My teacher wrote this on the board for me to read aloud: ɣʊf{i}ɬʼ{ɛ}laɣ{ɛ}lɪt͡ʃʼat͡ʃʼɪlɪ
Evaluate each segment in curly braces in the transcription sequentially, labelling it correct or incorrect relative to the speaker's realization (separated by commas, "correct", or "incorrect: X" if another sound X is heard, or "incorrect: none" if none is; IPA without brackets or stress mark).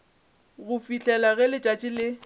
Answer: correct, correct, correct